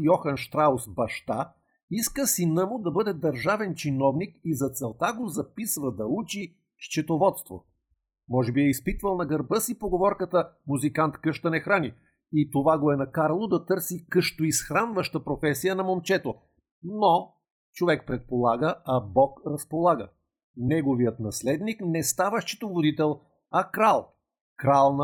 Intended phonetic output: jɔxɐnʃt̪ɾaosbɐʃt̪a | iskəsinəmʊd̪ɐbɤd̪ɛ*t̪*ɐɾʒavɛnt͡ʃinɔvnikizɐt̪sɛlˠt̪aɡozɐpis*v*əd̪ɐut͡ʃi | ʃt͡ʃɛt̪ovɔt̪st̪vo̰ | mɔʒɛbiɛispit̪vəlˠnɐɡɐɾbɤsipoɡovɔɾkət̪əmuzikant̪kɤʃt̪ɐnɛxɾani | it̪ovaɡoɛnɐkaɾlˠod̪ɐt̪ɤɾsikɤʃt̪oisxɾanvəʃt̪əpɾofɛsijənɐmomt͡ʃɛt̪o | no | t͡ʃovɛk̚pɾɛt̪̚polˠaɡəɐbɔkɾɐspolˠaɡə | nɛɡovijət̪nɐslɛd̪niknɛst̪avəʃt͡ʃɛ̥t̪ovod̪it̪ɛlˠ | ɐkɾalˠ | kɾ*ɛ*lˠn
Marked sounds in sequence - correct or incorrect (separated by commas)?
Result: incorrect, correct, incorrect